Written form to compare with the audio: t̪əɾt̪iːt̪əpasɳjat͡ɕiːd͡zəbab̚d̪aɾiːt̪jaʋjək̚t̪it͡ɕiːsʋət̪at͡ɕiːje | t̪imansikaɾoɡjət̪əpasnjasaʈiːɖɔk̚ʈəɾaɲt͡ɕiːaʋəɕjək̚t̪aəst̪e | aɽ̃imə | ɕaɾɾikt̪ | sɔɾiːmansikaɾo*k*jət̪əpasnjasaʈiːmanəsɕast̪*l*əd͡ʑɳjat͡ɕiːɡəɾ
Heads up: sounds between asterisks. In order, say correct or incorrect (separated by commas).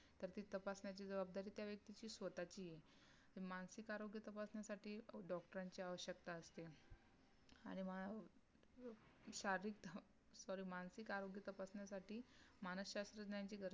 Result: incorrect, incorrect